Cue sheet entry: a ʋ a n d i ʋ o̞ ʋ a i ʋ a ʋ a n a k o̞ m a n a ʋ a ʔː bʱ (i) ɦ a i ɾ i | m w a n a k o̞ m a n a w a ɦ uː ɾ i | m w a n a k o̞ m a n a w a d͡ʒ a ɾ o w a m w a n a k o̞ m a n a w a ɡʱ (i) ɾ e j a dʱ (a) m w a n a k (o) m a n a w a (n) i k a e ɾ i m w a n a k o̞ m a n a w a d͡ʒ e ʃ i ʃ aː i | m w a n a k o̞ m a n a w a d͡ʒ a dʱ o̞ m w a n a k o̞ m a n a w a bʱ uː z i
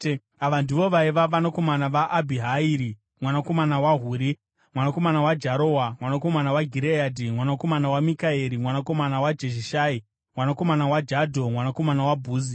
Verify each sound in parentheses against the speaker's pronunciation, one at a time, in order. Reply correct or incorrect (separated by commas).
correct, correct, incorrect, correct, incorrect